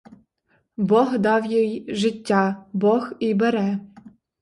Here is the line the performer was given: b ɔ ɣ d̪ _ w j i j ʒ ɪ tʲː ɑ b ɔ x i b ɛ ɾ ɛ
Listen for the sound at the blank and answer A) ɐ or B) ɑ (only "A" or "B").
B